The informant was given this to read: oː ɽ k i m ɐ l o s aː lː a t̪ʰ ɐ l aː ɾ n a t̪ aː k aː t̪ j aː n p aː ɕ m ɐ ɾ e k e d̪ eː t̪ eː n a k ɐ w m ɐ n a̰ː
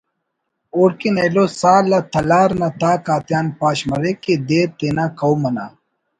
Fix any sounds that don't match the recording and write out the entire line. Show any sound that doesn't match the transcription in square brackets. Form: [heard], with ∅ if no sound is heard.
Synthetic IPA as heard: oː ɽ k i [n] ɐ l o s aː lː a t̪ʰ ɐ l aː ɾ n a t̪ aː k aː t̪ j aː n p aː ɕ m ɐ ɾ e k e d̪ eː t̪ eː n a k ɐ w m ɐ n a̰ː